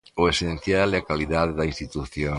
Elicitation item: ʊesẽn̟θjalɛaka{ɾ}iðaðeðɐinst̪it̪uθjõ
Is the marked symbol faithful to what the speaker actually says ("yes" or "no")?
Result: no